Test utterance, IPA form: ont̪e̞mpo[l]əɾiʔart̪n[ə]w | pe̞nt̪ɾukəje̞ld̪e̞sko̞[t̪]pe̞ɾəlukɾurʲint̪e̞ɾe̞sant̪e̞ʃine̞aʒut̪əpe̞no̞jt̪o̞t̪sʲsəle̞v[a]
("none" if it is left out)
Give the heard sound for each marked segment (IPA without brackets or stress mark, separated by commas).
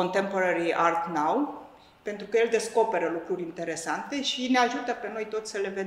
ɾ, a, none, e